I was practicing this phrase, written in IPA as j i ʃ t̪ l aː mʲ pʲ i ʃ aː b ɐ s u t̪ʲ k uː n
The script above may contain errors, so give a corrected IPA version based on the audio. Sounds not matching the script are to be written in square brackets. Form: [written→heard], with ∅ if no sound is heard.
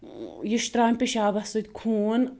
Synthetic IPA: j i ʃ t̪ [l→ɾ] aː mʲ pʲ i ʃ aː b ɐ s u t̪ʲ [k→kʰ] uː n

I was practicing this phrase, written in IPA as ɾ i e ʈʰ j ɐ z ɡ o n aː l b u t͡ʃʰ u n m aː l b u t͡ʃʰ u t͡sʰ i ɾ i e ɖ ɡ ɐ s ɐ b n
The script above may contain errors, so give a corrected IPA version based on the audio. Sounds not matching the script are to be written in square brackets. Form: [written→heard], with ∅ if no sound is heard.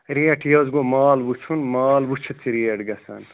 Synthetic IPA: ɾ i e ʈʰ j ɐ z ɡ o [n→m] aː l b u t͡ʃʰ u n m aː l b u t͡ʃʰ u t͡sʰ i ɾ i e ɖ ɡ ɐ s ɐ [b→∅] n

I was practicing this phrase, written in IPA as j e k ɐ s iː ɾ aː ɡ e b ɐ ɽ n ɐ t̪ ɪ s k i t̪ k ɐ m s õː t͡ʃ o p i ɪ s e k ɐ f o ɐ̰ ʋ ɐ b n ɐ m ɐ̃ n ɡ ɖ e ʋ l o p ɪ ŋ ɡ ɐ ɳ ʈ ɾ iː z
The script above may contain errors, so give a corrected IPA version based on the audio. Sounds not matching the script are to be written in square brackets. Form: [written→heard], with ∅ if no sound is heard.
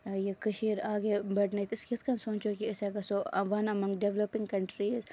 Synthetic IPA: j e k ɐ [s→ʃ] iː ɾ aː ɡ e b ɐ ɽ n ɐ t̪ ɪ s k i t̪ k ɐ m s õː t͡ʃ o [p→k] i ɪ s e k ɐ [f→s] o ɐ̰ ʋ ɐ [b→∅] n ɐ m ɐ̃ [n→ŋ] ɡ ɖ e ʋ l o p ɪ ŋ [ɡ→k] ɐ ɳ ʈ ɾ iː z

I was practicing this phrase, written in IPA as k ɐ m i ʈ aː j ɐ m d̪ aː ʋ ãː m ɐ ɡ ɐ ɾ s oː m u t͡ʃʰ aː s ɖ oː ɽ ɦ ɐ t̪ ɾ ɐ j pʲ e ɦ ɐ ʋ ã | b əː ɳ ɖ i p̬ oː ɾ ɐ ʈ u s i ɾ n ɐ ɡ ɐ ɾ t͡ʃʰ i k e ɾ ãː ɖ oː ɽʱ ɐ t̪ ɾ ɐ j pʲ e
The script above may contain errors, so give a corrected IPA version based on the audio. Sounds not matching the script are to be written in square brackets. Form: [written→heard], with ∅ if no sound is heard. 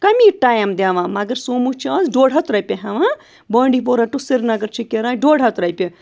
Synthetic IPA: k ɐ m i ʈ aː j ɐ m d̪ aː ʋ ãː m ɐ ɡ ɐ ɾ s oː m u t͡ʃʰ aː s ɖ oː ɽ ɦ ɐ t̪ ɾ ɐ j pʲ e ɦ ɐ ʋ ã | b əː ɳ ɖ i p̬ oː ɾ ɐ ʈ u s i ɾ n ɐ ɡ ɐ ɾ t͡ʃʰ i k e ɾ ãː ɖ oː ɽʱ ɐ t̪ ɾ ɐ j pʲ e

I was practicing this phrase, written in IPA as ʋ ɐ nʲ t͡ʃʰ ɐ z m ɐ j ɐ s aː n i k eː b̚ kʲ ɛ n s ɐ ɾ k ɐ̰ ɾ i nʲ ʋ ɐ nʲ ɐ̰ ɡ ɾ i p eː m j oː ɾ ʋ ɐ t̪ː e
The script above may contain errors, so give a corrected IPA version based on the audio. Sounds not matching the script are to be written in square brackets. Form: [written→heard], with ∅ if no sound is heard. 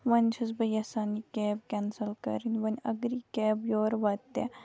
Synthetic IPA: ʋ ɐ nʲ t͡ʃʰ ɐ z [m→b] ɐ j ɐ s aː n i k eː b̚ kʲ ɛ n s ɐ [ɾ→l] k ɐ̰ ɾ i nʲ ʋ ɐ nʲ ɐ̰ ɡ ɾ i [p→k] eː [m→b] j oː ɾ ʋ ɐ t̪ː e

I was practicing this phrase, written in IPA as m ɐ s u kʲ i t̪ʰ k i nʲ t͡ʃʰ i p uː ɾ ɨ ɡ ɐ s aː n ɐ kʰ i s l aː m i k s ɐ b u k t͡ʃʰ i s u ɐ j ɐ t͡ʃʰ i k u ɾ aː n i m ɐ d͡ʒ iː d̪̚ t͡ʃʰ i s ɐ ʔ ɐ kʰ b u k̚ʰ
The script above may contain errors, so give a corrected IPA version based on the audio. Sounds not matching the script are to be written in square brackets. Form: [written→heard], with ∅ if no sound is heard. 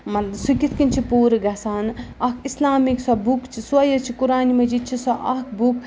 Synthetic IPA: m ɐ s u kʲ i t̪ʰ k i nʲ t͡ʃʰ i p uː ɾ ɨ ɡ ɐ s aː n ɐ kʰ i s l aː m i k s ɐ b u k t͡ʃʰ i s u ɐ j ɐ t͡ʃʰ i k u ɾ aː n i m ɐ d͡ʒ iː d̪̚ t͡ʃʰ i s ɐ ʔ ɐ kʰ b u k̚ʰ

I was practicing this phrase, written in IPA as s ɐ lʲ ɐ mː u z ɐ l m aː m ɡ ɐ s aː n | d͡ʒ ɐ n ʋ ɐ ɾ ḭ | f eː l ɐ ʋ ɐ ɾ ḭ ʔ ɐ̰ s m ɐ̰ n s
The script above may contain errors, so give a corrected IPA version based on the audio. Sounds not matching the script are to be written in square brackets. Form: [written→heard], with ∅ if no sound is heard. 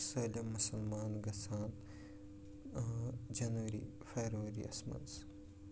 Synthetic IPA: s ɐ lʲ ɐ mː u [z→s] ɐ l m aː [m→n] ɡ ɐ s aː n | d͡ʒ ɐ n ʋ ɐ ɾ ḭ | f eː [l→ɾ] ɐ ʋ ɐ ɾ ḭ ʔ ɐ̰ s m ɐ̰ n s

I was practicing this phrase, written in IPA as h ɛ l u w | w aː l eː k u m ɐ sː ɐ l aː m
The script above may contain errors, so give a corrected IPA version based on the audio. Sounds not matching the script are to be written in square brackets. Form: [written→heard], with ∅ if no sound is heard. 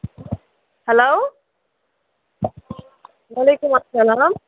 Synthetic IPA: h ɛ l [u→o] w | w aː l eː k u m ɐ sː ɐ l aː m

